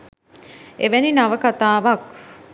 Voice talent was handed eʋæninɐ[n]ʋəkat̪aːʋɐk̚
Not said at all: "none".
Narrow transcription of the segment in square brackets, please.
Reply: none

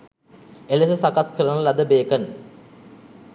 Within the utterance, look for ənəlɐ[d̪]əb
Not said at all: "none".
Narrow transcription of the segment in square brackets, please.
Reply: d̪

